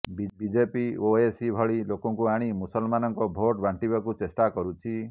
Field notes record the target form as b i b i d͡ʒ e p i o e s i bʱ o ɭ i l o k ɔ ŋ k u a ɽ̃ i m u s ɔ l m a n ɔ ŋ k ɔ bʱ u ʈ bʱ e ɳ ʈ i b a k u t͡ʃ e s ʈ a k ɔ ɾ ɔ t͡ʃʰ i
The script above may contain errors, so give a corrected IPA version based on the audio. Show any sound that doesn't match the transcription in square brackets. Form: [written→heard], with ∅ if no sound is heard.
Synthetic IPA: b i b i d͡ʒ e p i o e s i bʱ [o→ɔ] ɭ i l o k ɔ ŋ k u a ɽ̃ i m u s ɔ l m a n ɔ ŋ k ɔ bʱ [u→o] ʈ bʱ [e→a] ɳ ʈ i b a k u t͡ʃ e s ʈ a k ɔ ɾ [ɔ→u] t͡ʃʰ i